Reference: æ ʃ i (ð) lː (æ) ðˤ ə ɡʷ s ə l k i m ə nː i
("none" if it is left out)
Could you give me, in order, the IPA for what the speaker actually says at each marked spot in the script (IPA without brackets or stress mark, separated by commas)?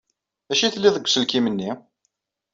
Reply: θ, i